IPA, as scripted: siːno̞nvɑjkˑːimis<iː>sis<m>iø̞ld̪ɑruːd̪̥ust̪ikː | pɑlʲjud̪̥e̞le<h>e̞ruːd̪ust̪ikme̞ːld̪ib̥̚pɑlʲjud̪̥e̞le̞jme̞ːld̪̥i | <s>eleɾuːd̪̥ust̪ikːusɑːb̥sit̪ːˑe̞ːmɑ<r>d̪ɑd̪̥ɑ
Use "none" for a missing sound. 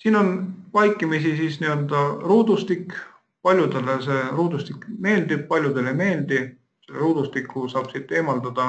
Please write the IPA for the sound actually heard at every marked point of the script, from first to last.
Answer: i, n, s, s, l

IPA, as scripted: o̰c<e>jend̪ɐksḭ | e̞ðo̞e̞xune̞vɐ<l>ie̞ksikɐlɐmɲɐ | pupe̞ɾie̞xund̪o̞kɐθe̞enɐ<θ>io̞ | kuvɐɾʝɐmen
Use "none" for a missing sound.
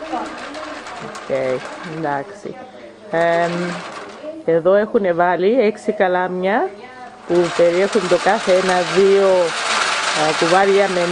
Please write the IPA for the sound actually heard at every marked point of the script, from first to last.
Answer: e, l, ð

